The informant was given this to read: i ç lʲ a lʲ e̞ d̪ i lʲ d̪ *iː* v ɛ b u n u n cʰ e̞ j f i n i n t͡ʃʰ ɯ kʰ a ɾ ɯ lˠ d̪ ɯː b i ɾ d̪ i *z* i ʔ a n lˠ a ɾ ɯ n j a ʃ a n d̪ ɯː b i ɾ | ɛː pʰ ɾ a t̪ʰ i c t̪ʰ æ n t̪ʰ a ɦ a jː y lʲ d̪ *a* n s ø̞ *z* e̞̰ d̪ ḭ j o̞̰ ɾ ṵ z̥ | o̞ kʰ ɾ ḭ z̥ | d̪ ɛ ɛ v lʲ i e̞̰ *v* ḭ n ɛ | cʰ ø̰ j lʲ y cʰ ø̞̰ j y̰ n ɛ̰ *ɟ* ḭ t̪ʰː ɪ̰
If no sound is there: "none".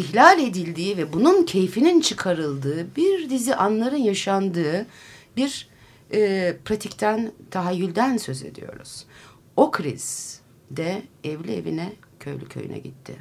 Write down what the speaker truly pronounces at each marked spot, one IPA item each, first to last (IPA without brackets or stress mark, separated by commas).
iː, z, æ, z, v, ɟ